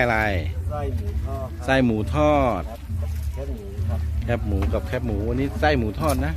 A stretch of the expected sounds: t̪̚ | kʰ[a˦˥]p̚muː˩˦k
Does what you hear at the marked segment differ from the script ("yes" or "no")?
yes